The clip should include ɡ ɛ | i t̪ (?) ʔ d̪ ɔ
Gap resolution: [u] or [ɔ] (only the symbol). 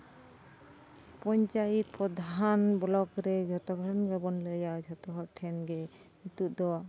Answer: u